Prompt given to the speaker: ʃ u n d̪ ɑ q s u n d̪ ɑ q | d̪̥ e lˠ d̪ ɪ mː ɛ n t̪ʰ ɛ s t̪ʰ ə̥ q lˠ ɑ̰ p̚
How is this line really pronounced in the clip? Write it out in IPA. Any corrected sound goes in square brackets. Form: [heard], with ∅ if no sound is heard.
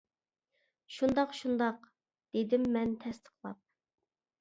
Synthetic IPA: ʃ u n d̪ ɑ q [ʃ] u n d̪ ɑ q | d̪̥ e [∅] d̪ ɪ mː ɛ n t̪ʰ ɛ s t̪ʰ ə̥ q lˠ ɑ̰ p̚